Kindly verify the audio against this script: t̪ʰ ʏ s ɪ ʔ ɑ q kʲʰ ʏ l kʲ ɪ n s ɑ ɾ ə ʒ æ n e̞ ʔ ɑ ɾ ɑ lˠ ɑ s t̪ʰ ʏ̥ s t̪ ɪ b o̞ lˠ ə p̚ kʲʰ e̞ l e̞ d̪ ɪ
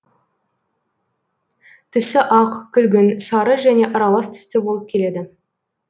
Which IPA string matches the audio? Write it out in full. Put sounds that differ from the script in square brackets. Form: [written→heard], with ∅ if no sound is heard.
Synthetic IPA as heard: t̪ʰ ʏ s ɪ ʔ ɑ q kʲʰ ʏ l [kʲ→ɡʲ] ɪ n s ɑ ɾ ə ʒ æ n e̞ ʔ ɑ ɾ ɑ lˠ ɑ s t̪ʰ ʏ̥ s t̪ ɪ b o̞ lˠ ə p̚ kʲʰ e̞ l e̞ d̪ ɪ